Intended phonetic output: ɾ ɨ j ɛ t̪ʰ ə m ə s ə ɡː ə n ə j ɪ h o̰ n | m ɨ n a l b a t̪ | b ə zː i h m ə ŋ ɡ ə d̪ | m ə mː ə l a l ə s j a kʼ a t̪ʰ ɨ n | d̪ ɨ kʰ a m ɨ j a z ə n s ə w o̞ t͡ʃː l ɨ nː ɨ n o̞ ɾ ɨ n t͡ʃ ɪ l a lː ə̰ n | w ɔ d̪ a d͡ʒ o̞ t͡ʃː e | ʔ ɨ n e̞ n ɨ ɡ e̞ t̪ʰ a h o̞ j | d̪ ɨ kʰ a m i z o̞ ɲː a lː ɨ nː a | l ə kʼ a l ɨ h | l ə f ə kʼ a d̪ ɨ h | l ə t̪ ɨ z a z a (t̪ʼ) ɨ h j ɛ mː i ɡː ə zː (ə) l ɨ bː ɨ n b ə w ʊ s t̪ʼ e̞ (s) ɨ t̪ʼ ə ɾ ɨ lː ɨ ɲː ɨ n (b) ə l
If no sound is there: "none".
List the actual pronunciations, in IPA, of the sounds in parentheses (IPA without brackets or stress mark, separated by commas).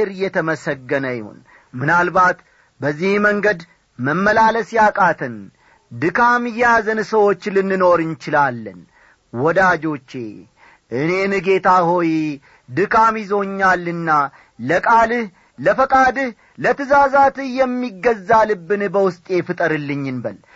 t̪, a, f, b